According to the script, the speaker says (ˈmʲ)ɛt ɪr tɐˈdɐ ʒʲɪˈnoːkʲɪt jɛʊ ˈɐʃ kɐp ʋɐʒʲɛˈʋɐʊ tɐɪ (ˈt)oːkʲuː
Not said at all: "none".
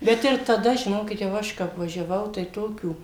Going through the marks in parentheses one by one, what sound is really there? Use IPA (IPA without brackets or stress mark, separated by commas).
bʲ, t